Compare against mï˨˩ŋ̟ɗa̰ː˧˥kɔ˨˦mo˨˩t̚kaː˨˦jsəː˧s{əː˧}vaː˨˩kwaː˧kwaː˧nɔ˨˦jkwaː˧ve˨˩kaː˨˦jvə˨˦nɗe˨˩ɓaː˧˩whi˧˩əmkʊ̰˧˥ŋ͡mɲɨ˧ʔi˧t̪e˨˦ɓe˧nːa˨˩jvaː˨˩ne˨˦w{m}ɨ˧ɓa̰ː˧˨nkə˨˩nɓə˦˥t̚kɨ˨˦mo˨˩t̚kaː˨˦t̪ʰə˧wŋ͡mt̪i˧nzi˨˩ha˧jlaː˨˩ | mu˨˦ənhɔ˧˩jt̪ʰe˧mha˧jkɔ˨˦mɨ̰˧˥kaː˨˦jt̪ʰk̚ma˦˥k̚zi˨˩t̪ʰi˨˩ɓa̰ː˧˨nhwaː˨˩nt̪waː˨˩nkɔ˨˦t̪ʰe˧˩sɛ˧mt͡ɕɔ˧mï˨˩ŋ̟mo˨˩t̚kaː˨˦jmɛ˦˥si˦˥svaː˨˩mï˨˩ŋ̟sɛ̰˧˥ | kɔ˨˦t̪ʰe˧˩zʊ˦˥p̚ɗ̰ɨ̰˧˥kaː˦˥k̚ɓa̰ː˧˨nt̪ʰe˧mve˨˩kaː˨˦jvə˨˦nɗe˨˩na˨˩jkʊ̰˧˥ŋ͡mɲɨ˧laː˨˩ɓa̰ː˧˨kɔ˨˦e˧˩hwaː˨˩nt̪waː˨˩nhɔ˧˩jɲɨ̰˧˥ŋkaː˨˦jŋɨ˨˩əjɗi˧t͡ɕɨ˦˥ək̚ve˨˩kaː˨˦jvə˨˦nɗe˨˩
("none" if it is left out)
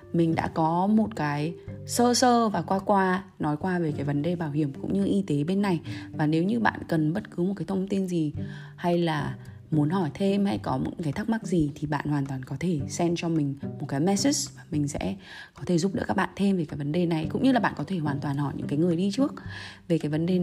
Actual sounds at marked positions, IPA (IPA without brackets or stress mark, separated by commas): əː˧, ɲ